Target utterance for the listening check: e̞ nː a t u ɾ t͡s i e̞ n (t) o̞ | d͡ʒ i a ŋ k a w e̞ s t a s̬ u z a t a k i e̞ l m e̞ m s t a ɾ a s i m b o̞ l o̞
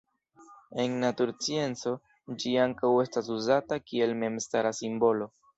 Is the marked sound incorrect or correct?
incorrect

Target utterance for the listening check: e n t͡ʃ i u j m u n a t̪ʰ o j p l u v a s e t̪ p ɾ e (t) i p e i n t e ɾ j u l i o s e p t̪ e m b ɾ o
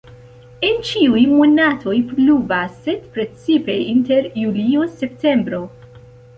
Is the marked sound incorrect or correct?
incorrect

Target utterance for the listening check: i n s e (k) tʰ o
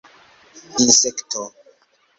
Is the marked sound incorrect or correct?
correct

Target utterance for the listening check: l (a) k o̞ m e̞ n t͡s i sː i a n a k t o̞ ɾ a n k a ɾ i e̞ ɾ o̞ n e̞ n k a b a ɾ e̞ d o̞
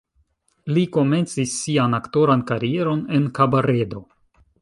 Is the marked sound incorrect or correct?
incorrect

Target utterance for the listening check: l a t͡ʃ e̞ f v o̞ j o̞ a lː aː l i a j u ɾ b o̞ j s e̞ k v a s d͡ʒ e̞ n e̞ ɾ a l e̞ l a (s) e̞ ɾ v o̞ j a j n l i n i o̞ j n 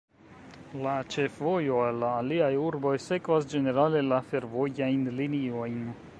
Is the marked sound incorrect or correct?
incorrect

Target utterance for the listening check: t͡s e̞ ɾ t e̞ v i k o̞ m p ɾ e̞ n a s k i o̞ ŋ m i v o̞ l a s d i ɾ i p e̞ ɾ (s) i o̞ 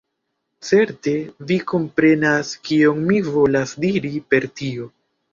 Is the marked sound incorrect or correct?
incorrect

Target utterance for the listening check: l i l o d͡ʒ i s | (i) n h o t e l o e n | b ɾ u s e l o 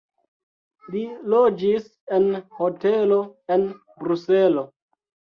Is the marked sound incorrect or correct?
incorrect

